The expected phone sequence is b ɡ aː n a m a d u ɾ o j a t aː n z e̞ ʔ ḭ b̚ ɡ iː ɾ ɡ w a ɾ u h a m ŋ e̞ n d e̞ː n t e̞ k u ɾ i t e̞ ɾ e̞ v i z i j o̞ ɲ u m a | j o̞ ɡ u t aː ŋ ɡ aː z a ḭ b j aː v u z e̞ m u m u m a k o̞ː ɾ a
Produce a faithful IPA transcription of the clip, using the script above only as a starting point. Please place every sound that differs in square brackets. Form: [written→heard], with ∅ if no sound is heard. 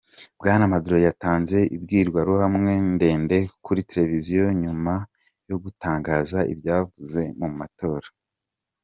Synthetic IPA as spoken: b ɡ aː n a m a d u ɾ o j a t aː n z e̞ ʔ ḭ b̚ ɡ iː ɾ ɡ w a ɾ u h a m ŋ e̞ n d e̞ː n [t→d] e̞ k u ɾ i t e̞ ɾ e̞ v i z i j o̞ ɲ u m a | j o̞ ɡ u t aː ŋ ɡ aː z a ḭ b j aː v u z e̞ m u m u m a [k→t] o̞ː ɾ a